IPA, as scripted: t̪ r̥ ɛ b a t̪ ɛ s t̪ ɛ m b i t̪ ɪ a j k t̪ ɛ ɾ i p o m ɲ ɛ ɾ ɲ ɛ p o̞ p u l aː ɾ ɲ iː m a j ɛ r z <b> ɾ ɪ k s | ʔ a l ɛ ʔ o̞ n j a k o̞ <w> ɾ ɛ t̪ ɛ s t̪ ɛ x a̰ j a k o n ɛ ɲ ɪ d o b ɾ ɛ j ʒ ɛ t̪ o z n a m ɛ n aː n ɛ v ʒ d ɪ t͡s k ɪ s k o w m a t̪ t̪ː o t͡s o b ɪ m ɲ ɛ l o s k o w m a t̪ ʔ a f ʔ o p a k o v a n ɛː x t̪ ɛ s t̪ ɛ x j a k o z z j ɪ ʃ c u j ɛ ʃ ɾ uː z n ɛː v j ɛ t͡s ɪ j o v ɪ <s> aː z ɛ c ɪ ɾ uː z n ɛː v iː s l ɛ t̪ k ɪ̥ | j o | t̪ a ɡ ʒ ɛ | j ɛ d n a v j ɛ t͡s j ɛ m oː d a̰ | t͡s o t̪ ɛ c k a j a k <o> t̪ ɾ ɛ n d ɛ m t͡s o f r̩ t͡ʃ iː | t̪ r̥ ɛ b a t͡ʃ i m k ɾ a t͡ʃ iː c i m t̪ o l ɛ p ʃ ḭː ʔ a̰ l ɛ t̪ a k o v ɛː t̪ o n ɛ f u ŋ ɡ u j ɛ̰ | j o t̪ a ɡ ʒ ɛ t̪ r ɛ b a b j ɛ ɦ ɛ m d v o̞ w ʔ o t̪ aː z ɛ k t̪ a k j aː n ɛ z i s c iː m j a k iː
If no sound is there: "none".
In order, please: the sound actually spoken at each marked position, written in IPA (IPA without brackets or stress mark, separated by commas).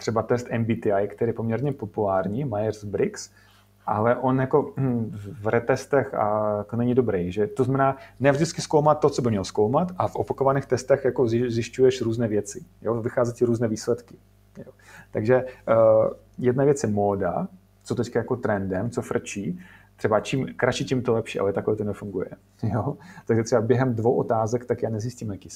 b, v, x, o